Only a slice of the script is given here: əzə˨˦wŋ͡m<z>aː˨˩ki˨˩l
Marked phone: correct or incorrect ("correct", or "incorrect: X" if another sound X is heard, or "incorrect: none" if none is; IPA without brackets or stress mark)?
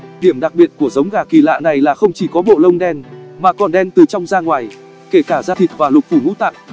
incorrect: ɣ